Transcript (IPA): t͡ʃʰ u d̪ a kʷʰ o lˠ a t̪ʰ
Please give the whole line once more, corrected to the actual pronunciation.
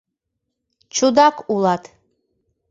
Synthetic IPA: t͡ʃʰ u d̪ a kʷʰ u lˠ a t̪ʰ